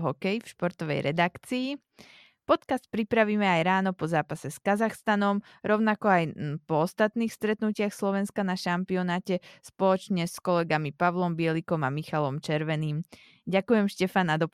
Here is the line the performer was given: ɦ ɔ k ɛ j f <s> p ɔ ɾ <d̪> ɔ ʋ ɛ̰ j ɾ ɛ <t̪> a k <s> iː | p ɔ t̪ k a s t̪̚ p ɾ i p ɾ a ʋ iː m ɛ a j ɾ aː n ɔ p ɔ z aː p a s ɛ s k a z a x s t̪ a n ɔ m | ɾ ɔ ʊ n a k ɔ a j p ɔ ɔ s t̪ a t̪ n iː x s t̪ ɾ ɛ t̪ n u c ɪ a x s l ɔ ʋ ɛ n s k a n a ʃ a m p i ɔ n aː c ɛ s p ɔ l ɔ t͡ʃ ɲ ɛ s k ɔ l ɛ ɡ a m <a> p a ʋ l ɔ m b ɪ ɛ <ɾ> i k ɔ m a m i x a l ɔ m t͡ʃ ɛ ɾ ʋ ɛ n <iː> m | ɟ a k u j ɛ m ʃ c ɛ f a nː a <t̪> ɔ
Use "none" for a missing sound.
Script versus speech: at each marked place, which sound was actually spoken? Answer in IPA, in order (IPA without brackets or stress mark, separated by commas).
ʃ, t̪, d̪, t͡s, i, l, iː, d̪